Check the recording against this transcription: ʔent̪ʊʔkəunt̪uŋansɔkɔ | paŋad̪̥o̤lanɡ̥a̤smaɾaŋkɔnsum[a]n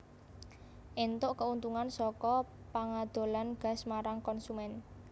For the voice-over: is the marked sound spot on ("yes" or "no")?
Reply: no